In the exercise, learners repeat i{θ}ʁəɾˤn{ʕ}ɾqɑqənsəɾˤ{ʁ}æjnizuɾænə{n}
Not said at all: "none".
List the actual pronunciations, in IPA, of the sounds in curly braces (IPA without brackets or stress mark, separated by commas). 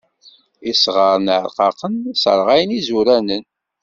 s, ʕ, ʁ, n